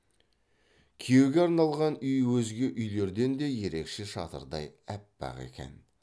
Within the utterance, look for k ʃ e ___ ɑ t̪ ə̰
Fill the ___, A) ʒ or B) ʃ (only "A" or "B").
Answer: B